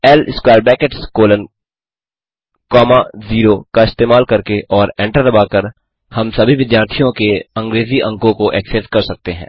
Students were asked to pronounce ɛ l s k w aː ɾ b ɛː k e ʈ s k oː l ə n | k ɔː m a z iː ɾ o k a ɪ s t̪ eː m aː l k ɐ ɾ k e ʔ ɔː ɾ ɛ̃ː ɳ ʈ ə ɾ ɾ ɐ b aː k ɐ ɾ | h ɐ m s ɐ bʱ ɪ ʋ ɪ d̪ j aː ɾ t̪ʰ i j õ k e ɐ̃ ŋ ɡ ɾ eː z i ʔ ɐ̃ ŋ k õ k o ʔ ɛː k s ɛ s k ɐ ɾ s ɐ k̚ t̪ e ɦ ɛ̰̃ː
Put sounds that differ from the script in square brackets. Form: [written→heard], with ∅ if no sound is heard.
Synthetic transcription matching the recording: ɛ l s k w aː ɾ b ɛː k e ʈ s k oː l ə n | k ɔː m a z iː ɾ o k a ɪ s t̪ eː m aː l k ɐ ɾ k e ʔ ɔː ɾ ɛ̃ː ɳ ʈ ə ɾ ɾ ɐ b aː k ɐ ɾ | h ɐ m s ɐ bʱ [ɪ→i] ʋ ɪ d̪ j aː ɾ t̪ʰ i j õ k e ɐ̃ ŋ ɡ ɾ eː z i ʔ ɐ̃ ŋ k õ k o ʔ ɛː k s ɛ s k ɐ ɾ s ɐ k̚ t̪ e ɦ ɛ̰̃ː